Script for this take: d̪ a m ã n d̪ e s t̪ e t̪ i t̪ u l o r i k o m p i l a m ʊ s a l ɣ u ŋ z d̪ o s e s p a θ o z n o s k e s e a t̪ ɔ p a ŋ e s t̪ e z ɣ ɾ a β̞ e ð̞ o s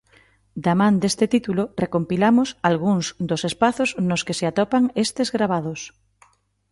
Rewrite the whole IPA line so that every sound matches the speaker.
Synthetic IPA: d̪ a m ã n d̪ e s t̪ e t̪ i t̪ u l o r e k o m p i l a m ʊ s a l ɣ u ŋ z d̪ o s e s p a θ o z n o s k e s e a t̪ ɔ p a ŋ e s t̪ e z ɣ ɾ a β̞ a ð̞ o s